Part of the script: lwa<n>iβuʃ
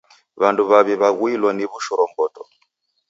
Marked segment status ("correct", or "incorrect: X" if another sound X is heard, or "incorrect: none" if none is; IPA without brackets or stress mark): correct